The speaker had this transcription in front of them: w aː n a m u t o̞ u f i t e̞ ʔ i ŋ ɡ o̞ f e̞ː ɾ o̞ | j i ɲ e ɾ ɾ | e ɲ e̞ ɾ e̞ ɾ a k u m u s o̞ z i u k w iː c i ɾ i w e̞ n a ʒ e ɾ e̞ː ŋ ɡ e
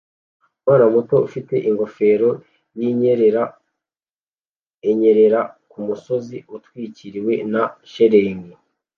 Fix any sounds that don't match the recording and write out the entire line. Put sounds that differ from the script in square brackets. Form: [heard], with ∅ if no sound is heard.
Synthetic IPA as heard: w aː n a m u t o̞ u f i t e̞ ʔ i ŋ ɡ o̞ f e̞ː ɾ o̞ | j i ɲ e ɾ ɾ | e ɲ e̞ ɾ e̞ ɾ a k u m u s o̞ z i u [t] w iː c i ɾ i w e̞ n a [ʃ] e ɾ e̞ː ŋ ɡ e